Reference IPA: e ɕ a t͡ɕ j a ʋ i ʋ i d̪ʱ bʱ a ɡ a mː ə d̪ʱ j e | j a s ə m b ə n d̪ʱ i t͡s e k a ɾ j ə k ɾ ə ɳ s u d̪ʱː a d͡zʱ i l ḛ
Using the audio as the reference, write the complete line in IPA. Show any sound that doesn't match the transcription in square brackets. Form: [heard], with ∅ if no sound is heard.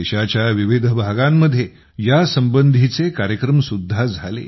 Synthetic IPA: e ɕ a t͡ɕ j a ʋ i ʋ i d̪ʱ bʱ a ɡ a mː ə d̪ʱ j e | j a s ə m b ə n d̪ʱ i t͡s e k a ɾ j ə k ɾ ə [m] s u d̪ʱː a d͡zʱ [a] l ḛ